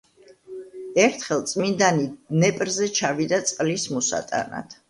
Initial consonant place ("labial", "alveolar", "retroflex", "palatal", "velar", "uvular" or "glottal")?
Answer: alveolar